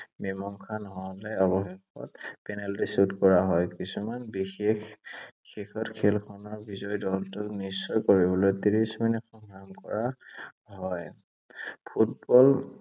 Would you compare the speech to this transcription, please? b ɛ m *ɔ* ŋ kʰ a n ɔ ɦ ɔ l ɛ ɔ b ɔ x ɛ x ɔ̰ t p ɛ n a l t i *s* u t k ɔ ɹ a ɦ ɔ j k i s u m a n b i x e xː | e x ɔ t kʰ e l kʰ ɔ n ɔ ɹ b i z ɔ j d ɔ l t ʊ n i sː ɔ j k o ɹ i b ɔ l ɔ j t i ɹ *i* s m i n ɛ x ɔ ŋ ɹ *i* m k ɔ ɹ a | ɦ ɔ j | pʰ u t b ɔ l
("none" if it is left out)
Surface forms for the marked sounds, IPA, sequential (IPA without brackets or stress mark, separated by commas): ɔ, s, i, a